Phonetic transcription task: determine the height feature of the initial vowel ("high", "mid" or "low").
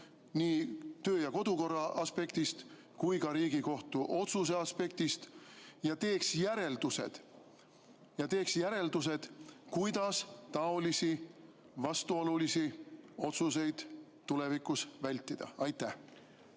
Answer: high